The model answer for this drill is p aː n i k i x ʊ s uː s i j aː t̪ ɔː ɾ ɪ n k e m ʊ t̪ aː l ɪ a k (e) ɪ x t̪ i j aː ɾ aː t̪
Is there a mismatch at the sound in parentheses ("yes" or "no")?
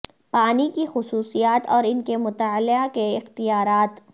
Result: no